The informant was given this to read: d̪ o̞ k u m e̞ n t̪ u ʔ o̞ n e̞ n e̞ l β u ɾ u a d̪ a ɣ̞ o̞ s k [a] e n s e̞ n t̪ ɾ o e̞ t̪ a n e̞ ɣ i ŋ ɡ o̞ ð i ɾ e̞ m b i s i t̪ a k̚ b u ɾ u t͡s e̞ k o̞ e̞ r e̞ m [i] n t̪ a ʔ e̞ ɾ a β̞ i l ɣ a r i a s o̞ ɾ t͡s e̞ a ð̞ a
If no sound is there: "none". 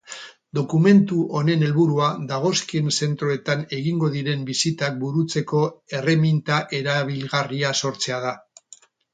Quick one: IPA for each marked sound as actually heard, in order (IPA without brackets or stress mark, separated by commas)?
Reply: i, i